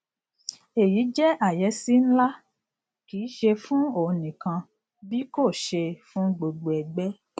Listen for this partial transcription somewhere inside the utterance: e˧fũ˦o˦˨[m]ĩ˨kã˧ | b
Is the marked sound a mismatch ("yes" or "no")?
yes